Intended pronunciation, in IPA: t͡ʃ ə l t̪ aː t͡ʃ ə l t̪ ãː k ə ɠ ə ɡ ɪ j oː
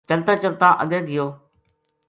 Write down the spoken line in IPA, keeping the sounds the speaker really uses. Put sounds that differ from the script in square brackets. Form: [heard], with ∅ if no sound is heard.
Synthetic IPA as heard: t͡ʃ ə l t̪ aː t͡ʃ ə l t̪ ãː [ʔ] ə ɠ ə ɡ ɪ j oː